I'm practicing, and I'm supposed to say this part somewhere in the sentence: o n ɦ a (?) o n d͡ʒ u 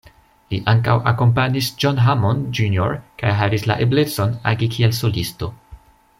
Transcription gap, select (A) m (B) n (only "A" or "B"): A